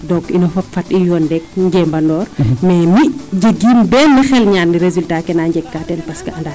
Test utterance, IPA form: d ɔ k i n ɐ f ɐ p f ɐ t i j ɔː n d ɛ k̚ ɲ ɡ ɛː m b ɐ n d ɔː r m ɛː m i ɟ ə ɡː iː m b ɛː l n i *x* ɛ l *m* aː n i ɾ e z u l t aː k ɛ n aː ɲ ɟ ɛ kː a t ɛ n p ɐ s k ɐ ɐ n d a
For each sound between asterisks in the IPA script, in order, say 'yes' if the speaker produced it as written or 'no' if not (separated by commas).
yes, no